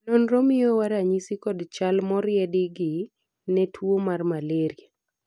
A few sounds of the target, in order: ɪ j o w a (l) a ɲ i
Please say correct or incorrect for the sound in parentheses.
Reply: incorrect